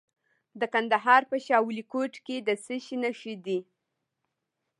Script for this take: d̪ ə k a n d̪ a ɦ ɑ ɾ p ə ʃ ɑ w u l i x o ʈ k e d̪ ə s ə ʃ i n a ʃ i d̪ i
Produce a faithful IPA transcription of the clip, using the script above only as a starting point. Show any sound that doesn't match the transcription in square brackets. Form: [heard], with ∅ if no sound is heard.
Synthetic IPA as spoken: d̪ ə k a n d̪ a ɦ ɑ ɾ p ə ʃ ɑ w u l i [k] o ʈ k e d̪ ə s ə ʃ i n a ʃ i d̪ i